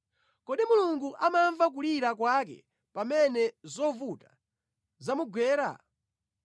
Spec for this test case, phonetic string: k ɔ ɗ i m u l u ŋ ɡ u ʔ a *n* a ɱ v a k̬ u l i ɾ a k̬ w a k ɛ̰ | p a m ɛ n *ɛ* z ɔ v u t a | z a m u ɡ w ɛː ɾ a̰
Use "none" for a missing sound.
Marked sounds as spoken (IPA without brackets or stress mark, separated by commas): m, ɛ